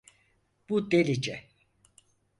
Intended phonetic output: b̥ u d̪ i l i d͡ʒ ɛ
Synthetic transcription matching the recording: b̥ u d̪ e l i d͡ʒ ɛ

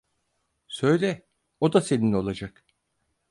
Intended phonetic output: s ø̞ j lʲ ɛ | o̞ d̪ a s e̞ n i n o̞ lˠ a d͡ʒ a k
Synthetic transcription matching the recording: s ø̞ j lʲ ɛ | o̞ d̪ a s e̞ n i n o̞ lˠ a d͡ʒ a k

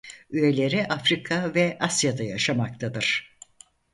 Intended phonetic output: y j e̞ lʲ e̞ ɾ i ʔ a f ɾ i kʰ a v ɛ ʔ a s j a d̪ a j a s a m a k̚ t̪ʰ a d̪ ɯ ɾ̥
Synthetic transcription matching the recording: y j e̞ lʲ e̞ ɾ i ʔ a f ɾ i kʰ a v ɛ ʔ a s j a d̪ a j a ʃ a m a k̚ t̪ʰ a d̪ ɯ ɾ̥

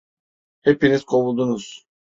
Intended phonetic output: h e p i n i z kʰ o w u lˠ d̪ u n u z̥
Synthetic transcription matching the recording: h e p i n i z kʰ o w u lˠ d̪ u n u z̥

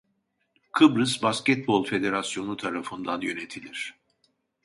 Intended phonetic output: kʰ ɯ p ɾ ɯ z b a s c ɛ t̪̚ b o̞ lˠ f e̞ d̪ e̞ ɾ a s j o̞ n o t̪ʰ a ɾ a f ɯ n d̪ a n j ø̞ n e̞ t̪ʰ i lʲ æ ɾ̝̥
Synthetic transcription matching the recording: kʰ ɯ b ɾ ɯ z b a s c ɛ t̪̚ b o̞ lˠ f e̞ d̪ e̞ ɾ a s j o̞ n u t̪ʰ a ɾ a f ɯ n d̪ a n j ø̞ n e̞ t̪ʰ i lʲ i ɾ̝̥

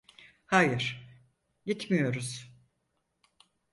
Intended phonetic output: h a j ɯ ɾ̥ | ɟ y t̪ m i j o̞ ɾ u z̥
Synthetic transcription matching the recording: h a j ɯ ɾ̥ | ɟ i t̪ m i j o̞ ɾ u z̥

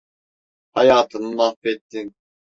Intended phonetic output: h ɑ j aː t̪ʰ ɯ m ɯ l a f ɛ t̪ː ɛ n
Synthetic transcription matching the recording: h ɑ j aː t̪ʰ ɯ n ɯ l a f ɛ t̪ː i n

